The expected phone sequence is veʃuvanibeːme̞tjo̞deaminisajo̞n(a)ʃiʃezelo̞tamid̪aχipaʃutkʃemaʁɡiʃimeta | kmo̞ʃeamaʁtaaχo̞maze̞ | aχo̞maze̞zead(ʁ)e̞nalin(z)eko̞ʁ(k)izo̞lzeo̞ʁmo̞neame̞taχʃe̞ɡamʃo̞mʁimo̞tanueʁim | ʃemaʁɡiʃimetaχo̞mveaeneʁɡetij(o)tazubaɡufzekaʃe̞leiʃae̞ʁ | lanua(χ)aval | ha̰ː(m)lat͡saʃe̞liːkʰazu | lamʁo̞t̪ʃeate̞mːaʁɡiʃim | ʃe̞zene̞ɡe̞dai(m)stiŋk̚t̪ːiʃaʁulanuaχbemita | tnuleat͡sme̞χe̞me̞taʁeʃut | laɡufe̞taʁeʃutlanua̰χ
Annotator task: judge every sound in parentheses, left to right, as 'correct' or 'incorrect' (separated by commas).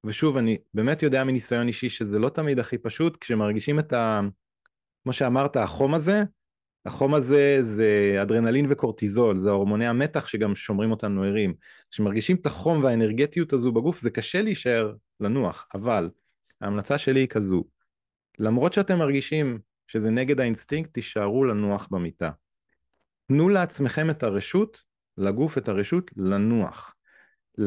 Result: incorrect, correct, incorrect, incorrect, incorrect, correct, correct, incorrect